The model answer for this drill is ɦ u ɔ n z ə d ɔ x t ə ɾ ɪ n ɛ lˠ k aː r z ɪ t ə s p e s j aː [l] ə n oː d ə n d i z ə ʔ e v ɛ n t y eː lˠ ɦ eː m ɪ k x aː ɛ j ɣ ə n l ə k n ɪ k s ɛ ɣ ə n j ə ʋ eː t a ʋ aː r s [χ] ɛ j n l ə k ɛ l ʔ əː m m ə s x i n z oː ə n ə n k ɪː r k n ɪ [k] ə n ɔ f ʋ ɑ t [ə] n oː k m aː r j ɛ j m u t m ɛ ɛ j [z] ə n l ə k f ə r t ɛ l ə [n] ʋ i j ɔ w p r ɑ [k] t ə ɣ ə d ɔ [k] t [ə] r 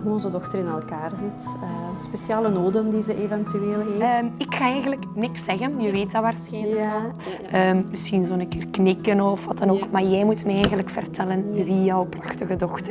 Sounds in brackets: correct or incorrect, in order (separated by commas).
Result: correct, incorrect, correct, incorrect, incorrect, correct, incorrect, incorrect, correct